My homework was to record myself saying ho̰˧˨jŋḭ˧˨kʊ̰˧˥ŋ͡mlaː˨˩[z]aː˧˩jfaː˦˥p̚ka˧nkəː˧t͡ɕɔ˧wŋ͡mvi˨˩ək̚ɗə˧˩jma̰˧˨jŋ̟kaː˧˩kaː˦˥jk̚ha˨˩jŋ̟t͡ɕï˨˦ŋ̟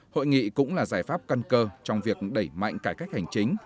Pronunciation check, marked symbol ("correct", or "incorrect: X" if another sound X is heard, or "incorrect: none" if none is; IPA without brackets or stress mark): correct